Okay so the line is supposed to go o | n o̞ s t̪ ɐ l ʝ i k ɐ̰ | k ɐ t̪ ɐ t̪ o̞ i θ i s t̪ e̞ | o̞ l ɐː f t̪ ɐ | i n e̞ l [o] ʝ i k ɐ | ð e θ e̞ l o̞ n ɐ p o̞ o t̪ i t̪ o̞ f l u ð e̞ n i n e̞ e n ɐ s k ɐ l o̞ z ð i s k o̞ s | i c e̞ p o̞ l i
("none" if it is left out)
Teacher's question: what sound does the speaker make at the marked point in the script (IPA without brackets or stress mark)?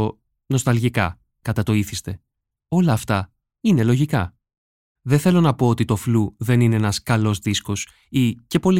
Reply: o